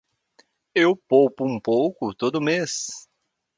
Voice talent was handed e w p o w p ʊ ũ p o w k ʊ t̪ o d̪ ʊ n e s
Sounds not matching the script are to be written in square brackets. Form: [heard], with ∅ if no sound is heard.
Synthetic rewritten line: e w p o w p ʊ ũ p o w k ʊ t̪ o d̪ ʊ [m] e s